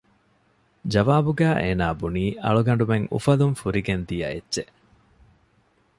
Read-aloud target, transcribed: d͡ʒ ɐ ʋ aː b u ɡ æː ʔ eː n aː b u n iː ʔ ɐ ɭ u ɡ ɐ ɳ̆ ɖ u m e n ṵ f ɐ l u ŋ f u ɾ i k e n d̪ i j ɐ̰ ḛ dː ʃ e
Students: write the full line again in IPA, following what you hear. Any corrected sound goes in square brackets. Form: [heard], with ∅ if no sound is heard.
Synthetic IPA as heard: d͡ʒ ɐ ʋ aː b u ɡ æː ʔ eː n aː b u n iː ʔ ɐ ɭ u ɡ ɐ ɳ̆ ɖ u m e [ŋ] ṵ f ɐ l u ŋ f u ɾ i [ɡ] e n d̪ i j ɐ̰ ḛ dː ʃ e